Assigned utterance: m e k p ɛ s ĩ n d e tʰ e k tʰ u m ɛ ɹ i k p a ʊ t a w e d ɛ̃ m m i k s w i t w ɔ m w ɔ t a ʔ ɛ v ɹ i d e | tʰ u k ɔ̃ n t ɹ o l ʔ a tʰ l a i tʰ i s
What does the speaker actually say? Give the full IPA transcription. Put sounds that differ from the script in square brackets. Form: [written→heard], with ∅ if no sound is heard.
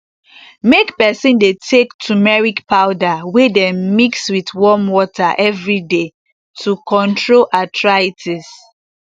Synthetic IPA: m e k p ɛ s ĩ n d e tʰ e k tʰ u m ɛ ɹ i k p a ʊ [t→d] a w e d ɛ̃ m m i k s w i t w ɔ m w ɔ t a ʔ ɛ v ɹ i d e | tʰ u k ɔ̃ n t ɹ o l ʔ a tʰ [l→ɹ] a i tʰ i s

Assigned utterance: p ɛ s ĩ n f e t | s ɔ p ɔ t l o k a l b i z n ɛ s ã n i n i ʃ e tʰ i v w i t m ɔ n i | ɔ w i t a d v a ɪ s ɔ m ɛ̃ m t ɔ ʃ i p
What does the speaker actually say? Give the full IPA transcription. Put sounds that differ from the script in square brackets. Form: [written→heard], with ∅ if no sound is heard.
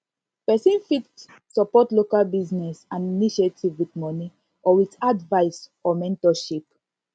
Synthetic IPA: p ɛ s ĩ n f [e→i] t | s ɔ p ɔ t l o k a l b i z n ɛ s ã n i n i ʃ e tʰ i v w i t m ɔ n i | ɔ w i t a d v a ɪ s ɔ m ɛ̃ [m→n] t ɔ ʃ i p

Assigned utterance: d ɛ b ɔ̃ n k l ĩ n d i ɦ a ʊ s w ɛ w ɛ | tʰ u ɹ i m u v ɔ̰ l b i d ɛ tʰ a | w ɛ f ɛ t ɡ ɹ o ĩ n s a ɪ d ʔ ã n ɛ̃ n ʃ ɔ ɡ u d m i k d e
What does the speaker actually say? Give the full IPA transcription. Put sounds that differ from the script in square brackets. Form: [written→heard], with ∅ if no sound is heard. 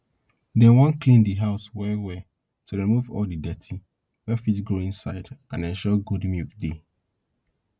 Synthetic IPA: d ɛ [b→w] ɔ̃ n k l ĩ n d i ɦ a ʊ s w ɛ w ɛ | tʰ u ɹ i m u v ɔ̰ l [b→d] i d ɛ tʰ [a→i] | w ɛ f [ɛ→i] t ɡ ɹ o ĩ n s a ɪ d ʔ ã n ɛ̃ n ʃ ɔ ɡ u d m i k d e

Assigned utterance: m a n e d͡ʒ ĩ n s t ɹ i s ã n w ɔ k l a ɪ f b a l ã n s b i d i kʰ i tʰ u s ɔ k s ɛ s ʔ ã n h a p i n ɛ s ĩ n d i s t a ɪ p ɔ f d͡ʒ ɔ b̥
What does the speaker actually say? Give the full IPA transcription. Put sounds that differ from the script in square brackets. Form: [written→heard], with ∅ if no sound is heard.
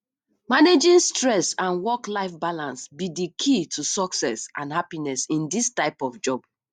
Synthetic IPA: m a n e d͡ʒ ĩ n s t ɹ [i→ɛ] s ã n w ɔ k l a ɪ f b a l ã n s b i d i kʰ i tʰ u s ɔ k s ɛ s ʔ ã n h a p i n ɛ s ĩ n d i s t a ɪ p ɔ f d͡ʒ ɔ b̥

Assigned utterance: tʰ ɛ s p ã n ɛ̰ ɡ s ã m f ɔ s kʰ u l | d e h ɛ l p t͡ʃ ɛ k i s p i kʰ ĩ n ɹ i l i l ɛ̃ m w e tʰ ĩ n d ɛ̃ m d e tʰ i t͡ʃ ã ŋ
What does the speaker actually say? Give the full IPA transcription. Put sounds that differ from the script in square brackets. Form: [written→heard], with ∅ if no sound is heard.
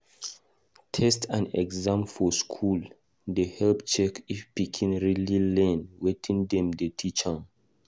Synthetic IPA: tʰ ɛ s [p→t] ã n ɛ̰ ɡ [s→z] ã m f ɔ s kʰ u l | d e h ɛ l p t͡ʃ ɛ k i [s→f] p i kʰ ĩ n ɹ i l i l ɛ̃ [m→n] w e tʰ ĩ n d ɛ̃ m d e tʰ i t͡ʃ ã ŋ

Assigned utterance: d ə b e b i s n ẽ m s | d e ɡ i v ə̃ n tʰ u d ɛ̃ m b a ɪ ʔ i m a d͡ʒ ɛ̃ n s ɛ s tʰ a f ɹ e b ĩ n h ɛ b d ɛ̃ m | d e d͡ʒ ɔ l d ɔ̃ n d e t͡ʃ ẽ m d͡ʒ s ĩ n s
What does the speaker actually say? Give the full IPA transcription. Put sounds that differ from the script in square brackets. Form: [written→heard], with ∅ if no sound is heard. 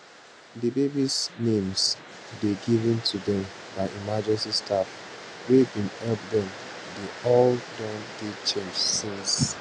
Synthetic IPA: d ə b e b i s n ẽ m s | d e ɡ i v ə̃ n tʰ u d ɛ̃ m b a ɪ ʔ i m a d͡ʒ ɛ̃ n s [ɛ→i] s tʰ a f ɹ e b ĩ n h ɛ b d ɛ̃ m | d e [d͡ʒ→∅] ɔ l d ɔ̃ n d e t͡ʃ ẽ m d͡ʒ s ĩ n s

